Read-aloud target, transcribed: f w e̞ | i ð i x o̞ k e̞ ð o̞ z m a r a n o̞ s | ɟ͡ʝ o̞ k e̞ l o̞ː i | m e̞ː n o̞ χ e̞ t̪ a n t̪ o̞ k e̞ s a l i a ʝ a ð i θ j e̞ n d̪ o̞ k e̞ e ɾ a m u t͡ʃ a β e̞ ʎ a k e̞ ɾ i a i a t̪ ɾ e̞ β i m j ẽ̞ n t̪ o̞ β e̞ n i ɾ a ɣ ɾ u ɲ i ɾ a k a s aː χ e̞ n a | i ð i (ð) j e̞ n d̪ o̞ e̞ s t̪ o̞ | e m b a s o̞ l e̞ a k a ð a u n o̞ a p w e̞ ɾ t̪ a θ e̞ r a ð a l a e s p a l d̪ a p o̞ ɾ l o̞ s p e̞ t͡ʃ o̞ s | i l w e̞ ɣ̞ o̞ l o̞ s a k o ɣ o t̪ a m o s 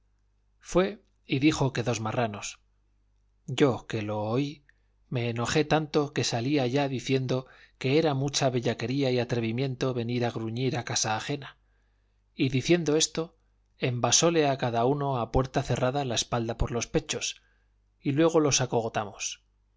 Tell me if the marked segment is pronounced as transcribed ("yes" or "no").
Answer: no